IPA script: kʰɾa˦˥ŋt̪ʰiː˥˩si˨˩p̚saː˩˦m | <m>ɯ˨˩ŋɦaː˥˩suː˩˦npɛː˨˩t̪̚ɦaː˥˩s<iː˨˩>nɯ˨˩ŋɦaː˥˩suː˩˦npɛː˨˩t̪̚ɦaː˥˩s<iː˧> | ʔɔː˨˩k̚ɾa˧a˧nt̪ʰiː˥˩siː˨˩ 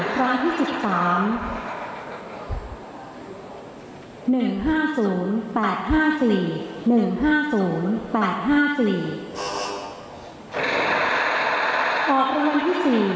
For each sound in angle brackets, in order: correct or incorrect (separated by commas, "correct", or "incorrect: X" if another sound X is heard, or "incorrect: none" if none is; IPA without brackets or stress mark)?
incorrect: n, correct, incorrect: iː˨˩